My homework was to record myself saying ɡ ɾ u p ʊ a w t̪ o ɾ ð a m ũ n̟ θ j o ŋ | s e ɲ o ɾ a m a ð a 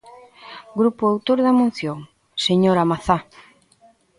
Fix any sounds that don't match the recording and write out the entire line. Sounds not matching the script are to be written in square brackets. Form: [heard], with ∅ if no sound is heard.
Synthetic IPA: ɡ ɾ u p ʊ a w t̪ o ɾ ð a m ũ n̟ θ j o ŋ | s e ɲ o ɾ a m a [θ] a